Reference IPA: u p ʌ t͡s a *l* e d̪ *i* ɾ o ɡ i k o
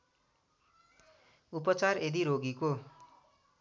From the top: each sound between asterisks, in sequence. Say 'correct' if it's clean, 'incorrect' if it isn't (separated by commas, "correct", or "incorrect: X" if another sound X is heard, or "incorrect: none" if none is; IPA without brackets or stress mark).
incorrect: r, correct